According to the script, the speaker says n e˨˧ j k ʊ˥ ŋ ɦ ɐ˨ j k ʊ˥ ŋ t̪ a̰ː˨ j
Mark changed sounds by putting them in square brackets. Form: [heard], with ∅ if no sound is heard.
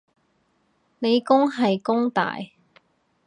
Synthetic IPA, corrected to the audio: n e˨˧ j k ʊ˥ ŋ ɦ ɐ˨ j k ʊ˥ ŋ t̪ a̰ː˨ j